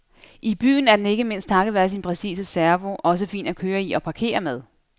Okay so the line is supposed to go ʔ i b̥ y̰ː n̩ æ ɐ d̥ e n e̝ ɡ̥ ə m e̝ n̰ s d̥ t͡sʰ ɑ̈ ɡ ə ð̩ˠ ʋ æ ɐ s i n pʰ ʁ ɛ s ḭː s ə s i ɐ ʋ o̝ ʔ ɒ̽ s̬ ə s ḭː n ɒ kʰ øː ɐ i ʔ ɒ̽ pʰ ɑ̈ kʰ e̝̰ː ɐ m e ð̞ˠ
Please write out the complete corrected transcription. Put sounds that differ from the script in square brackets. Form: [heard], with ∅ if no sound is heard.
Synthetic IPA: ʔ i b̥ y̰ː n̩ æ ɐ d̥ e n e̝ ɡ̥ ə m e̝ n̰ s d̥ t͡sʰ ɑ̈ ɡ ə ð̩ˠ ʋ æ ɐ s i n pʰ ʁ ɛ s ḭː s ə s [æ] ɐ ʋ o̝ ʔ ɒ̽ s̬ ə [f] ḭː n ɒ kʰ øː ɐ i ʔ ɒ̽ pʰ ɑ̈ kʰ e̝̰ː ɐ m e ð̞ˠ